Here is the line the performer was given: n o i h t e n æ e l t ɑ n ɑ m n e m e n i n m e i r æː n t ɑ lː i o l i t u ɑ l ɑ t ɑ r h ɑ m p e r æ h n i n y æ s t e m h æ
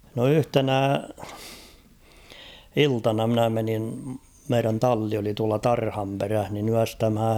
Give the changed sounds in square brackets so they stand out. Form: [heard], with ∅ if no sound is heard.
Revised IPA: n o [y] h t e n æ [i] l t ɑ n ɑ m n [æ] m e n i n m e i r [æ] n t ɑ lː i o l i t u ɑ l ɑ t ɑ r h ɑ m p e r æ h n i n y æ s t [æ] m h æ